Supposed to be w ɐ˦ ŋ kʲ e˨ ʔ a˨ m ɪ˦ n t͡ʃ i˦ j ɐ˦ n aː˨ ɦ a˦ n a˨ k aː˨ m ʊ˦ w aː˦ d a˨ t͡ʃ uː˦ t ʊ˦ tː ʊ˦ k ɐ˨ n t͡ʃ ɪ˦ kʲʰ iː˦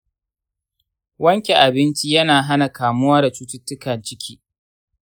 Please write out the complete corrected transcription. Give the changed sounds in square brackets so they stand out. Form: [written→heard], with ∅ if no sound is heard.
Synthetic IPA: w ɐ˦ ŋ kʲ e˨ ʔ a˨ [m→b] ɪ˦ n t͡ʃ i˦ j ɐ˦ n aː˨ ɦ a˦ n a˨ k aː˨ m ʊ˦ w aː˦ d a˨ t͡ʃ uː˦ t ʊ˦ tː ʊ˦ k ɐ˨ n t͡ʃ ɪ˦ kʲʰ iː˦

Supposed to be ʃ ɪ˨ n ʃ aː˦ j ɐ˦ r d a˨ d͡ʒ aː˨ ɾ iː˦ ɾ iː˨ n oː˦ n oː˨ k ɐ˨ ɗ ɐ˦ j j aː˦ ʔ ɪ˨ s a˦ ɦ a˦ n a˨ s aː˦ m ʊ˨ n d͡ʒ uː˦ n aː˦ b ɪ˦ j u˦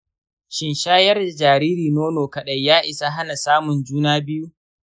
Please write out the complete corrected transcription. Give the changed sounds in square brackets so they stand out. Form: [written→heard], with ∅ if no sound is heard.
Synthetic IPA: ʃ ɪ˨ n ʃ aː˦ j ɐ˦ r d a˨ d͡ʒ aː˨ ɾ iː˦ ɾ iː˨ n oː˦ n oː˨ k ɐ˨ ɗ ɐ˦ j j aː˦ ʔ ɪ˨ s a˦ ɦ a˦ n a˨ s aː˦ m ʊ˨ n d͡ʒ uː˦ n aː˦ b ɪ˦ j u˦

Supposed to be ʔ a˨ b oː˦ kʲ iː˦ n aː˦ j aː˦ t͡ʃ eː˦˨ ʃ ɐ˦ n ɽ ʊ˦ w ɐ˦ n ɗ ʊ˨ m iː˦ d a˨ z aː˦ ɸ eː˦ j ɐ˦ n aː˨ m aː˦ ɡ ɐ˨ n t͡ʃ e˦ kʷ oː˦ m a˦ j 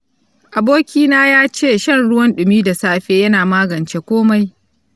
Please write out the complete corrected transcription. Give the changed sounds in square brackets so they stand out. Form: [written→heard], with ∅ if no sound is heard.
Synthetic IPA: ʔ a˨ b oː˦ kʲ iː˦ n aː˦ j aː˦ t͡ʃ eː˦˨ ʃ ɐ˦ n ɽ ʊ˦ w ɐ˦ n ɗ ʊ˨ m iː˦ d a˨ [z→s] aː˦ ɸ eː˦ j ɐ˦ n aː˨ m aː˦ ɡ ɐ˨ n t͡ʃ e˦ kʷ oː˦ m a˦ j

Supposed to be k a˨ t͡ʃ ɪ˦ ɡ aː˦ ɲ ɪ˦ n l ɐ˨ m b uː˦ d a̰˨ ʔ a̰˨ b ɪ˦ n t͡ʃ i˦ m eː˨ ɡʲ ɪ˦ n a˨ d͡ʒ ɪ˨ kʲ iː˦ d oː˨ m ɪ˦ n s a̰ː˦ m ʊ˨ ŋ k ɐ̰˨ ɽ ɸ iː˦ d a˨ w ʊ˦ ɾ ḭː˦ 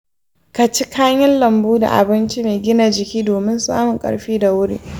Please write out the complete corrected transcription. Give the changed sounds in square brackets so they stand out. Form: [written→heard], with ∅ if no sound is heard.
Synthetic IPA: k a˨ t͡ʃ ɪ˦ [ɡ→k] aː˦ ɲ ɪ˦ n l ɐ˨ m b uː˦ d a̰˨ ʔ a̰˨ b ɪ˦ n t͡ʃ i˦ m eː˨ ɡʲ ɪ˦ n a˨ d͡ʒ ɪ˨ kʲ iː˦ d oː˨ m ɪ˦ n s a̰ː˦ m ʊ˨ ŋ [k→kʼ] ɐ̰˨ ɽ ɸ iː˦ d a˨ w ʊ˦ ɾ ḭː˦

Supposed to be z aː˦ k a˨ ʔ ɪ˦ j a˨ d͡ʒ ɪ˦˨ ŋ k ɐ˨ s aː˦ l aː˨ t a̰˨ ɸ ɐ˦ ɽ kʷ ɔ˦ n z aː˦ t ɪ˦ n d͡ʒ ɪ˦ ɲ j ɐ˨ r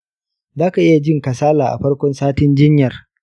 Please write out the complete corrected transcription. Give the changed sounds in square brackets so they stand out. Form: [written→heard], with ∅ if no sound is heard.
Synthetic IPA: z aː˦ k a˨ ʔ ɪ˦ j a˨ d͡ʒ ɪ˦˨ ŋ k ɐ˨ s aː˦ l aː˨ [t→ʔ] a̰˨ ɸ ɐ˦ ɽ kʷ ɔ˦ n [z→s] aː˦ t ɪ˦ n d͡ʒ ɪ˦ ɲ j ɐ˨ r

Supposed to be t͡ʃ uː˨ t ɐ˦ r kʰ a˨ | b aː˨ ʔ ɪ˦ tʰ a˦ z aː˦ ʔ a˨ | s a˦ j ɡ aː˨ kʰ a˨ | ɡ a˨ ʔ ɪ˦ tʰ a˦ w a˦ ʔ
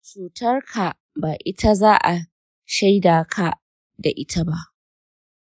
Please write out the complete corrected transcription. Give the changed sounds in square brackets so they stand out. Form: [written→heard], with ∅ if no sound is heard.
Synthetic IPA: t͡ʃ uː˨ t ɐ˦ r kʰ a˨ | b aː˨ ʔ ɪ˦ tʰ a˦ z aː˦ ʔ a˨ | [s→ʃ] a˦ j [ɡ→d] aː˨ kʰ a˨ | [ɡ→d] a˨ ʔ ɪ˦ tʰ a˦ [w→b] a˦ ʔ

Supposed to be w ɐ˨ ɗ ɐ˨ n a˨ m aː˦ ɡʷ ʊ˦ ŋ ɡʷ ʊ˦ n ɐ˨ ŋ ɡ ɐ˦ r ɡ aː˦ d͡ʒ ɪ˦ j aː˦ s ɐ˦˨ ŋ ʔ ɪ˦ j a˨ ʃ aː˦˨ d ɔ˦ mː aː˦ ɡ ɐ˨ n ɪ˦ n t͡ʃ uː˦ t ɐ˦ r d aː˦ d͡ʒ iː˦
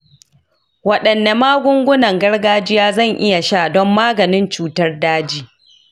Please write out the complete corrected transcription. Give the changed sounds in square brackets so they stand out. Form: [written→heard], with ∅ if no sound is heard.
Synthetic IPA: w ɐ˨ ɗ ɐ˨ [n→nː] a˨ m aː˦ ɡʷ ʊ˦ ŋ ɡʷ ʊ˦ n ɐ˨ ŋ ɡ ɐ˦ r ɡ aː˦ d͡ʒ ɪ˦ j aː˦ [s→z] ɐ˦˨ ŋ ʔ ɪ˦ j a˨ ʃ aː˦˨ d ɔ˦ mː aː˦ ɡ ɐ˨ n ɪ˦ n t͡ʃ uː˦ t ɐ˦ r d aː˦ d͡ʒ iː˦

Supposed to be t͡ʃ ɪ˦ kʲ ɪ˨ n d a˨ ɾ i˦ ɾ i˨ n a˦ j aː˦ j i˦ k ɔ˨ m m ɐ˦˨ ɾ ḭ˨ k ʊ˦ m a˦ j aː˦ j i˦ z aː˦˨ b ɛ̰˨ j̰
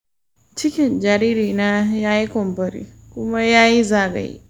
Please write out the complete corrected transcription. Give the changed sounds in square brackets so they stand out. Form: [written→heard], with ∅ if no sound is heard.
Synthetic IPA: t͡ʃ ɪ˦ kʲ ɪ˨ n [d→d͡ʒ] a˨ ɾ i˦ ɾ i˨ n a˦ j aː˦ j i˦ k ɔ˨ m [m→b] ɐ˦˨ ɾ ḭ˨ k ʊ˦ m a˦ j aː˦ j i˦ z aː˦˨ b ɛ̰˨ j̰

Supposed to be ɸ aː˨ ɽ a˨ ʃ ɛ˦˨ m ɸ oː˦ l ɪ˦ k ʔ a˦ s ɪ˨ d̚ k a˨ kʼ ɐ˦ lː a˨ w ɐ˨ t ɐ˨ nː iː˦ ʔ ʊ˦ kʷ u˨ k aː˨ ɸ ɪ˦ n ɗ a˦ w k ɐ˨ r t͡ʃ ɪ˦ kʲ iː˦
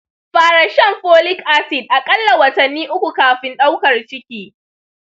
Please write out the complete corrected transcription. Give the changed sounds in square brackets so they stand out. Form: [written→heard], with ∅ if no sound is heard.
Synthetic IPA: ɸ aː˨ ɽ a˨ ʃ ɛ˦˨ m ɸ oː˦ l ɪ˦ k ʔ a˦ s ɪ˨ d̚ [k→ʔ] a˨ kʼ ɐ˦ lː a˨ w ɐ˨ t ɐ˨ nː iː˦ ʔ ʊ˦ kʷ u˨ k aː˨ ɸ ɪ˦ n ɗ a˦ w k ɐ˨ r t͡ʃ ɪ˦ kʲ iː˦

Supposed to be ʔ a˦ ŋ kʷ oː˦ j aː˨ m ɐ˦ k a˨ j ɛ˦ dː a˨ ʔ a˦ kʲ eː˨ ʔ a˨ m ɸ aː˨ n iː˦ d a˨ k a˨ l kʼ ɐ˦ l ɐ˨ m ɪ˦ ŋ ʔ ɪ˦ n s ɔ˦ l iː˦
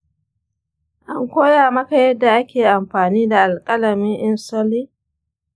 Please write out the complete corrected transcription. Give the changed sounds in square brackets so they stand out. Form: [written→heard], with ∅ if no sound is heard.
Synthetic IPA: ʔ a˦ ŋ kʷ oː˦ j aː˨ m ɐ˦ k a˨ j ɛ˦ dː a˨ ʔ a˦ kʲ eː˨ ʔ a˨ m ɸ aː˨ n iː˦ d a˨ [k→ʔ] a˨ l kʼ ɐ˦ l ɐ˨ m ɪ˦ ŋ ʔ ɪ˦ n s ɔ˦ l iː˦

